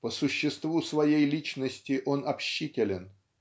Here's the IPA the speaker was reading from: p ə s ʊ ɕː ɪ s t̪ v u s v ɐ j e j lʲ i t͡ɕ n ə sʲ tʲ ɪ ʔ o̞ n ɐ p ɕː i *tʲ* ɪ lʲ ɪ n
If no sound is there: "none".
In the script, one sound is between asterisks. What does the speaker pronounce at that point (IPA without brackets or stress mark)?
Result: tʲ